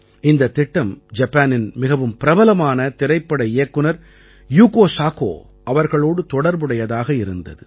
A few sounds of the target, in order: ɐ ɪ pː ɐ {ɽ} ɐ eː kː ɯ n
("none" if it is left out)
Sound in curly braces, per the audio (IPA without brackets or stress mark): ɽ